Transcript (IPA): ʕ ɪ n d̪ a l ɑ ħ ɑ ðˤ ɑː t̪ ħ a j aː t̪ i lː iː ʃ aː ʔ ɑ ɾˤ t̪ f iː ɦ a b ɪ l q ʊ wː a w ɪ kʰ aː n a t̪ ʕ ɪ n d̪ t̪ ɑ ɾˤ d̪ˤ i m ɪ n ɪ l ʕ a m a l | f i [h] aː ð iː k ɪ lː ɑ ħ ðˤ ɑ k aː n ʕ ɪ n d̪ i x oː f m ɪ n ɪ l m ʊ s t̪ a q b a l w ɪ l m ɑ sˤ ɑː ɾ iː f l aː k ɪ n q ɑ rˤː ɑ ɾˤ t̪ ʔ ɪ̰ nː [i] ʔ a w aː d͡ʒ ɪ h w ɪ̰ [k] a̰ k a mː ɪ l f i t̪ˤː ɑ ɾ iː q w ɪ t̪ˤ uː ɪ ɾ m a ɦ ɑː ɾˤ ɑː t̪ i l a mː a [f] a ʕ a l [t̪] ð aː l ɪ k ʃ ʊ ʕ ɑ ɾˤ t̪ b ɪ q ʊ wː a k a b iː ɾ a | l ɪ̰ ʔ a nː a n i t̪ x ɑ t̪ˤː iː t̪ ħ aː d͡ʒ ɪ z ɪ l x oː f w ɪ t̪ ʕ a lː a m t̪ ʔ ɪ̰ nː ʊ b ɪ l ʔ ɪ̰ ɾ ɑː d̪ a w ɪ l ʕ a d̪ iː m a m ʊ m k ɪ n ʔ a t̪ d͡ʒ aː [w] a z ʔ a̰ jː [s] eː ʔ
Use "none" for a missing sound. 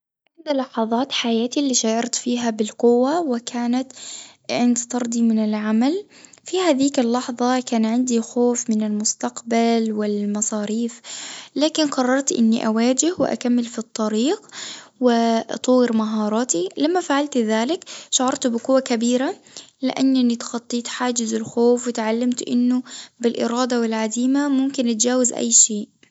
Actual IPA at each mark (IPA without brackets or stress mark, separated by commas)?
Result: h, i, ʔ, f, t̪, w, ʃ